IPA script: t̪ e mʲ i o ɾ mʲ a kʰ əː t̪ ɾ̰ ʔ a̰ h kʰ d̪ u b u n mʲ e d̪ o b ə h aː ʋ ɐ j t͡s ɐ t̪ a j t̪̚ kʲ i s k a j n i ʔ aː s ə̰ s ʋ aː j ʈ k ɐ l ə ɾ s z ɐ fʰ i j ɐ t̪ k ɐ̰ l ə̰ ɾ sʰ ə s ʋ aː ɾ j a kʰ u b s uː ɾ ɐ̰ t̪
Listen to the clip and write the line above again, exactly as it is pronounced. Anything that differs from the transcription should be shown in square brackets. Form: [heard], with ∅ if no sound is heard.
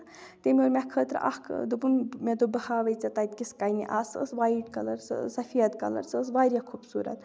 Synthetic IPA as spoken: t̪ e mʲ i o ɾ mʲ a kʰ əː t̪ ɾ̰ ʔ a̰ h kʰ d̪ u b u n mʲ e d̪ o b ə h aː ʋ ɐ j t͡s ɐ t̪ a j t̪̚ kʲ i s k a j n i ʔ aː s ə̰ s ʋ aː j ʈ k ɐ l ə ɾ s [s] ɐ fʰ i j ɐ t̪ k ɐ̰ l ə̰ ɾ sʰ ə s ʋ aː ɾ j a kʰ u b s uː ɾ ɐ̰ t̪

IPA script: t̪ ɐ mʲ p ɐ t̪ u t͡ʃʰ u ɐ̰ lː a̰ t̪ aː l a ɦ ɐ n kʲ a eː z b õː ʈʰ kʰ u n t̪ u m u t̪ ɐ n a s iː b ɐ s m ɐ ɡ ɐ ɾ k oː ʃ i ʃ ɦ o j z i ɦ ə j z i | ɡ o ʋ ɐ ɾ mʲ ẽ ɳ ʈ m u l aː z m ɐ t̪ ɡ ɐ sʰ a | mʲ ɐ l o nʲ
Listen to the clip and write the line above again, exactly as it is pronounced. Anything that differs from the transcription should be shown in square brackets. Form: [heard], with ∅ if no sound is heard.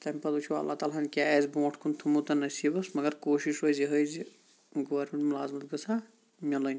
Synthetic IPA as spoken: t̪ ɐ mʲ p ɐ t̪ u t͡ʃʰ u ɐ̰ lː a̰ t̪ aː l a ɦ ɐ n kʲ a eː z b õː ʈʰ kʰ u n [t̪ʰ] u m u t̪ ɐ n [ɐ] s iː b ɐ s m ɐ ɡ ɐ ɾ k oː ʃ i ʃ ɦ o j z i ɦ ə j z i | ɡ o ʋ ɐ ɾ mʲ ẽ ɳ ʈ m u l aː z m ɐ t̪ ɡ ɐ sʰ a | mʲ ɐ l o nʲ

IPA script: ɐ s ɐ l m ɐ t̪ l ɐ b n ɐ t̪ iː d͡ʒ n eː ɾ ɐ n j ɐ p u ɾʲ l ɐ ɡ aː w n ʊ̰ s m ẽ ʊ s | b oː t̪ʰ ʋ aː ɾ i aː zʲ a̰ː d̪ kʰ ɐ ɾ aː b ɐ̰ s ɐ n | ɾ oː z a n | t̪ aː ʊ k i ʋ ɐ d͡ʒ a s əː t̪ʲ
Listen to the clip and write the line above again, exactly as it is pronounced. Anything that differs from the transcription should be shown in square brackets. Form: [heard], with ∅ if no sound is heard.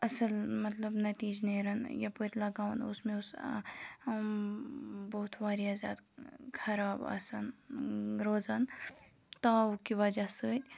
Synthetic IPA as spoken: ɐ s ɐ l m ɐ t̪ l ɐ b n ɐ t̪ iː d͡ʒ n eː ɾ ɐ n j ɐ p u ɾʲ l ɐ ɡ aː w n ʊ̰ s m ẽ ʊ s | b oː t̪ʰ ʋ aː ɾ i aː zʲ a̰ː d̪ kʰ ɐ ɾ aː b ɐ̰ s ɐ n | ɾ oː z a n | t̪ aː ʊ k i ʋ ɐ d͡ʒ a s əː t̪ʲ

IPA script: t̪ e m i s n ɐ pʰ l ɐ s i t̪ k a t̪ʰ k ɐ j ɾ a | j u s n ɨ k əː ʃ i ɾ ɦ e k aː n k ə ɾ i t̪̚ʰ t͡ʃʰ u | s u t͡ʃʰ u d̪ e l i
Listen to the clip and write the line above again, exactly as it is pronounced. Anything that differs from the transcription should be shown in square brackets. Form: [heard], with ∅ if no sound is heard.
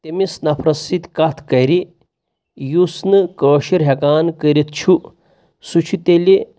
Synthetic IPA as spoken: t̪ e m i s n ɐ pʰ [ɾ] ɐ s i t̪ k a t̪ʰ k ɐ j ɾ [i] | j u s n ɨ k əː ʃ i ɾ ɦ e k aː n k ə ɾ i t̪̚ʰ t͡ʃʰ u | s u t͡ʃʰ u [t̪] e l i

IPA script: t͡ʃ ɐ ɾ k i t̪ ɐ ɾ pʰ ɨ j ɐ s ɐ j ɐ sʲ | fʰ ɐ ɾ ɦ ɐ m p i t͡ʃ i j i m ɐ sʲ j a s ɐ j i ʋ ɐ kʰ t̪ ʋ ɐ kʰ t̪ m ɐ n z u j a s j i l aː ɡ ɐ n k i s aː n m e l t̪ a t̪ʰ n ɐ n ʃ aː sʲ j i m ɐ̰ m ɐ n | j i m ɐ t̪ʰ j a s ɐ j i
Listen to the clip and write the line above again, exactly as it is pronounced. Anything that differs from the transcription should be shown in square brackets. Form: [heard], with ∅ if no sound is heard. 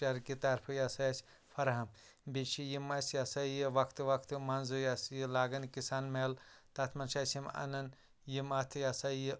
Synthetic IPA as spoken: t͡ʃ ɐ ɾ k i t̪ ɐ ɾ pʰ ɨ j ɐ s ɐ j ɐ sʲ | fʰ ɐ ɾ ɦ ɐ m [b] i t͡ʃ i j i m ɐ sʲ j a s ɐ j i ʋ ɐ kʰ t̪ ʋ ɐ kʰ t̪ m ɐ n z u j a s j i l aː ɡ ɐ n k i s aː n m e l t̪ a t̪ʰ [m] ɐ n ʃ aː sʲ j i m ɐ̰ [n] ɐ n | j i m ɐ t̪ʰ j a s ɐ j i

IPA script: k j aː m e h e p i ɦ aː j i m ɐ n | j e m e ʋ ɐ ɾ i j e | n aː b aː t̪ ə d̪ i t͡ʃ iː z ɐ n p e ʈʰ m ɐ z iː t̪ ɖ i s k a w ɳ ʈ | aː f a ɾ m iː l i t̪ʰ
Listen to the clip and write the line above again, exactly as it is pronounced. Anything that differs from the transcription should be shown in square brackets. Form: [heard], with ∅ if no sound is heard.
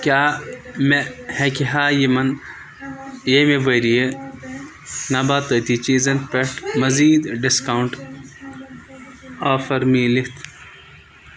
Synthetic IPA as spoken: k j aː m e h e [k] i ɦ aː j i m ɐ n | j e m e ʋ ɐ ɾ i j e | n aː b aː t̪ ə [t̪] i t͡ʃ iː z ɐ n p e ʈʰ m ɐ z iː [d̪] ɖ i s k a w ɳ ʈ | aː f [ɐ] ɾ m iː l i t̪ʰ

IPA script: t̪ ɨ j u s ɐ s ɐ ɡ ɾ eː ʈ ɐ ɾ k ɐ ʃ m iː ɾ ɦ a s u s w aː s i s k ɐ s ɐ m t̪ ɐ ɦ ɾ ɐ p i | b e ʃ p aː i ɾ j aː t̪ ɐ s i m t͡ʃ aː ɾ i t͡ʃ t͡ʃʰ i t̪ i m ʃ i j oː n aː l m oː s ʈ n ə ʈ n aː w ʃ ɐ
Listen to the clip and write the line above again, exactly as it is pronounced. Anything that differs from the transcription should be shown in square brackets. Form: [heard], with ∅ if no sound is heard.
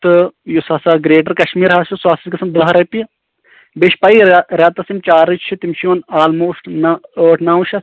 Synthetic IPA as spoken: t̪ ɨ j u s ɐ s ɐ ɡ ɾ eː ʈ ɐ ɾ k ɐ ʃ m iː ɾ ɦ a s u s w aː s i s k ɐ s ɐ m [d̪] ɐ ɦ ɾ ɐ p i | b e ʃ p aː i ɾ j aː t̪ ɐ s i m t͡ʃ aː ɾ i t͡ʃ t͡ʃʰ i t̪ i m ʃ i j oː n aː l m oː s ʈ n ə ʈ n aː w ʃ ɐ

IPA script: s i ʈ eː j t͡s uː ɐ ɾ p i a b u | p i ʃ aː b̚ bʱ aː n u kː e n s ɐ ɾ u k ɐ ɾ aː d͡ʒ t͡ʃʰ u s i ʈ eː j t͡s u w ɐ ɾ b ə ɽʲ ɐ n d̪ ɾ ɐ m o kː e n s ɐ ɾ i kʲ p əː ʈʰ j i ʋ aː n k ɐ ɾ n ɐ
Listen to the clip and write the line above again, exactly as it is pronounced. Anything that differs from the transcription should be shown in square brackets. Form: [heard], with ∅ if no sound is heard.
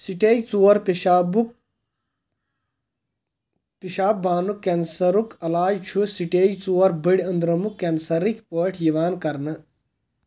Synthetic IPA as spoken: s i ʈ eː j t͡s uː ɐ ɾ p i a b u | p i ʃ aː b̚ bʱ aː n u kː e n s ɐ ɾ u k ɐ [l] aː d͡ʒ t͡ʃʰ u s i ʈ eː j t͡s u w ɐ ɾ b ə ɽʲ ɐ n d̪ ɾ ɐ m [u] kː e n s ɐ ɾ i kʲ p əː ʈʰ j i ʋ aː n k ɐ ɾ n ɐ

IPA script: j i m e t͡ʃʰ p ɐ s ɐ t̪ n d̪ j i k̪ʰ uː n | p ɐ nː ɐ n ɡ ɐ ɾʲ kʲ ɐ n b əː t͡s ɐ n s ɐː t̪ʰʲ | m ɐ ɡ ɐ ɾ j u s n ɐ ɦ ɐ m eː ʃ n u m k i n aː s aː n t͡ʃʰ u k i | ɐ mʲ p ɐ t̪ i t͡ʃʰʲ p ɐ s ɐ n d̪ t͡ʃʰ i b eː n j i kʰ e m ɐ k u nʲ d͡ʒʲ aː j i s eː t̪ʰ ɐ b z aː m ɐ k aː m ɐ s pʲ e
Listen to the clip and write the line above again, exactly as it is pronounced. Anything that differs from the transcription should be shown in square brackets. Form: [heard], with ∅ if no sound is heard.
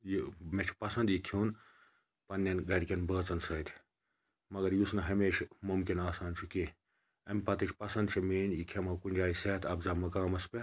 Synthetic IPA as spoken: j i m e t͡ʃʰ p ɐ s ɐ [∅] n d̪ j i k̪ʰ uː n | p ɐ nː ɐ n ɡ ɐ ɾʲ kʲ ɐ n b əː t͡s ɐ n s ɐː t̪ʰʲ | m ɐ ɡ ɐ ɾ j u s n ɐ ɦ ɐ m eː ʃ [m] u m k i n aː s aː n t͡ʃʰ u k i | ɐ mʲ p ɐ t̪ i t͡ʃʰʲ p ɐ s ɐ n d̪ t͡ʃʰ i [m] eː n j i kʰ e m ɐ k u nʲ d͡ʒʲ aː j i s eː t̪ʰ ɐ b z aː m ɐ k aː m ɐ s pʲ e

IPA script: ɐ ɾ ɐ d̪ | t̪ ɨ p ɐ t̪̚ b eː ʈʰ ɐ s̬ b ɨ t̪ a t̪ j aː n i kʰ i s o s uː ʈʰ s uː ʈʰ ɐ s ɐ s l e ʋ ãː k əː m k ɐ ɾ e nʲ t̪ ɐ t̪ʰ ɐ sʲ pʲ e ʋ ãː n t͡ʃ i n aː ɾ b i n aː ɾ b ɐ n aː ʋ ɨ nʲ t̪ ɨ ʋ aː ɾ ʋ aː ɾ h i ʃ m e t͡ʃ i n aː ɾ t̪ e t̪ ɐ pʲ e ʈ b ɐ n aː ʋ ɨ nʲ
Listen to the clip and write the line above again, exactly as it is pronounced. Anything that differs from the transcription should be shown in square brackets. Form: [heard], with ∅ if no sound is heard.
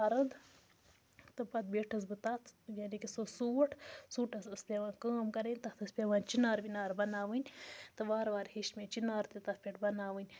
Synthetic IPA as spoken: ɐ ɾ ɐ d̪ | t̪ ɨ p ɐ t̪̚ b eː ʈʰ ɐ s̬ b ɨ t̪ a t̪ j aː n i [k] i s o s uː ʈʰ s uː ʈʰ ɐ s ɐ s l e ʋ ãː k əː m k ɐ ɾ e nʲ t̪ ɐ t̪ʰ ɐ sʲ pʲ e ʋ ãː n t͡ʃ i n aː ɾ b i n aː ɾ b ɐ n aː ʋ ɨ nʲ t̪ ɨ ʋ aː ɾ ʋ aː ɾ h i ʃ m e t͡ʃ i n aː ɾ t̪ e t̪ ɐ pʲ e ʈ b ɐ n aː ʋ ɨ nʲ

